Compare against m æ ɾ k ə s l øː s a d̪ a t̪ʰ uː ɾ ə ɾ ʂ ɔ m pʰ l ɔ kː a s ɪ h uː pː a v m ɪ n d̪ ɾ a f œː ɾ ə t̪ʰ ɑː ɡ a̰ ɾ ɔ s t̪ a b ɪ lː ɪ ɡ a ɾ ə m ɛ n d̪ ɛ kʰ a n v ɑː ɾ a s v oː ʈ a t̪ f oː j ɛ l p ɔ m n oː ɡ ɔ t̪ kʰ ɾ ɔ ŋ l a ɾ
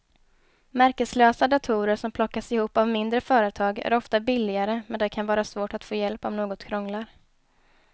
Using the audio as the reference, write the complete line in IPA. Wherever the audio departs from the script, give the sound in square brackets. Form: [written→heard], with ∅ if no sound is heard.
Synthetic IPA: m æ ɾ k ə s l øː s a d̪ a t̪ʰ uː ɾ ə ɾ ʂ ɔ m pʰ l ɔ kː a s ɪ h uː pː a v m ɪ n d̪ ɾ [a→ə] f œː ɾ ə t̪ʰ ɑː ɡ [a̰→æ̰] ɾ ɔ [s→f] t̪ a b ɪ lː ɪ ɡ a ɾ ə m ɛ n d̪ ɛ kʰ a n v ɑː ɾ a s v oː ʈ a t̪ f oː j ɛ l p ɔ m n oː ɡ ɔ t̪ kʰ ɾ ɔ ŋ l a ɾ